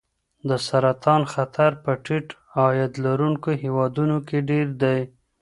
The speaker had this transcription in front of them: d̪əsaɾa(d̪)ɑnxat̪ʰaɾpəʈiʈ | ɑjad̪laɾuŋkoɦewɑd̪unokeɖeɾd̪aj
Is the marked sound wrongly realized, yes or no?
yes